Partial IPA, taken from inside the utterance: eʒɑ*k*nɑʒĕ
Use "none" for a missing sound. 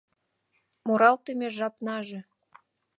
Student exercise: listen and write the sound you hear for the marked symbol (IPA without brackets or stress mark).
p